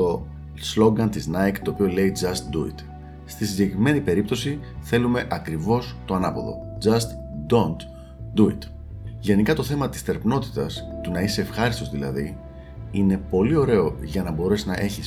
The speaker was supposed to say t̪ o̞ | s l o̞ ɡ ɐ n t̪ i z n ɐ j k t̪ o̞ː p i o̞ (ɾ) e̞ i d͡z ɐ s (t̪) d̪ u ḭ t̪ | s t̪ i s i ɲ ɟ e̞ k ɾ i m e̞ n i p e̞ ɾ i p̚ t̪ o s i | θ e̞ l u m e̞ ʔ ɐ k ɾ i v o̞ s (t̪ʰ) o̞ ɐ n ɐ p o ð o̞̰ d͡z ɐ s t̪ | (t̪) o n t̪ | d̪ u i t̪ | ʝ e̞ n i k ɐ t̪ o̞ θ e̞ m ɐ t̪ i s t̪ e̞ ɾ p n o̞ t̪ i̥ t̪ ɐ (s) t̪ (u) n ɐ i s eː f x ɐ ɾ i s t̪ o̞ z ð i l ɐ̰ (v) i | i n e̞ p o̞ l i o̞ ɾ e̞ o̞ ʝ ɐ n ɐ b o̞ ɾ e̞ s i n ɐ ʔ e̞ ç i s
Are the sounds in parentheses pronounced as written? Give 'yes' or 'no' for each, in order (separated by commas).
no, yes, no, no, yes, yes, no